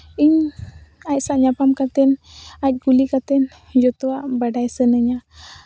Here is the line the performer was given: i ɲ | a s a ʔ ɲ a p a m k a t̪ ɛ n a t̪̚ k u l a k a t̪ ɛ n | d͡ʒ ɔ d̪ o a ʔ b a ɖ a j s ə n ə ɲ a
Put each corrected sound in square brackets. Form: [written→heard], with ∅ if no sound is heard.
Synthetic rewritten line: i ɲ | a s a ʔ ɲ a p a m k a t̪ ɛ n a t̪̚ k u l [a→i] k a t̪ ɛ n | d͡ʒ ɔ [d̪→t̪] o a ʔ b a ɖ a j s ə n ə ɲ a